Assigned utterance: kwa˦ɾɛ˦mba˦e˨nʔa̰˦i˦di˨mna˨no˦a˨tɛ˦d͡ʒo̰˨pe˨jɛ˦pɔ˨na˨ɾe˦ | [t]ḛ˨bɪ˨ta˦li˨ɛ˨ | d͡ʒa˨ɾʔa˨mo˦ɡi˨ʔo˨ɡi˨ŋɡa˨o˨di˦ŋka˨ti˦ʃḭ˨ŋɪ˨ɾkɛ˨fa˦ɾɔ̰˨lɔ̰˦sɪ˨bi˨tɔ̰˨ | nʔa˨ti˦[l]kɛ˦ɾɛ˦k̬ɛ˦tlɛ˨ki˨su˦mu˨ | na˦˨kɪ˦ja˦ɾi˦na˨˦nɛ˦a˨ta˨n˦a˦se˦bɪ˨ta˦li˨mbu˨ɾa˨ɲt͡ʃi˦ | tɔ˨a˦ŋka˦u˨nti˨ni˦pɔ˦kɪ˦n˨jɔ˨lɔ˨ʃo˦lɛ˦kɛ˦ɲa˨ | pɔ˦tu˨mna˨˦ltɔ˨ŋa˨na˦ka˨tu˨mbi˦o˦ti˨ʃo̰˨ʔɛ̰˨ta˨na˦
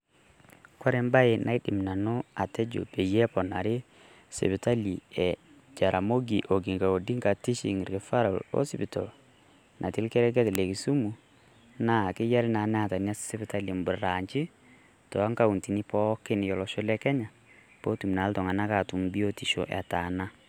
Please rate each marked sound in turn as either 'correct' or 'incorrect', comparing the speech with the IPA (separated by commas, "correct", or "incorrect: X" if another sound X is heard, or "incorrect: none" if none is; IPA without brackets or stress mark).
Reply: incorrect: s, correct